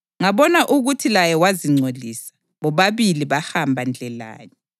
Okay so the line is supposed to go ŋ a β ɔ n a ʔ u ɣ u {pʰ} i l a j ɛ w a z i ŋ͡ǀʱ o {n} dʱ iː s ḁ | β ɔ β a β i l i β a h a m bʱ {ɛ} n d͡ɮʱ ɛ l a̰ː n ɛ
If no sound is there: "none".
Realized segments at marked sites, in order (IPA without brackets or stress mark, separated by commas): tʰ, none, a